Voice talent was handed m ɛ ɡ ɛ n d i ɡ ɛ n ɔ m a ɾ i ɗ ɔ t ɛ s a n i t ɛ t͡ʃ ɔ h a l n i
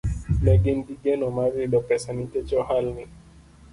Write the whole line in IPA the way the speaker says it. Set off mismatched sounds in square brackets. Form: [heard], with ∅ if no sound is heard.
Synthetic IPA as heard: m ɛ ɡ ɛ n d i ɡ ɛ n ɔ m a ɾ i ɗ ɔ [p] ɛ s a n i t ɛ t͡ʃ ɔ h a l n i